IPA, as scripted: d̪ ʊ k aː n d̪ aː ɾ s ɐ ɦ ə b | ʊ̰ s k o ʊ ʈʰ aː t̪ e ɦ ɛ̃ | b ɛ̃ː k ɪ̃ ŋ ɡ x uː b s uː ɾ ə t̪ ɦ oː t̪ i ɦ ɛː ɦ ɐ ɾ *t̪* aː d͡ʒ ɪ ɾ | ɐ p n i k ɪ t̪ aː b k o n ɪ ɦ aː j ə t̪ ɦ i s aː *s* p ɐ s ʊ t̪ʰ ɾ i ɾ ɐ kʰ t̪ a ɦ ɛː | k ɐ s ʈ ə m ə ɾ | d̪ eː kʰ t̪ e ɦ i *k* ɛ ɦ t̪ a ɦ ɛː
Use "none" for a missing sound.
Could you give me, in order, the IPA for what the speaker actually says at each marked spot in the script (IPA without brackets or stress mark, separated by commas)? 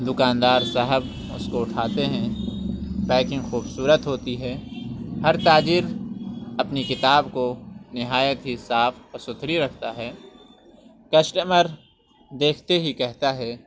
t̪, f, k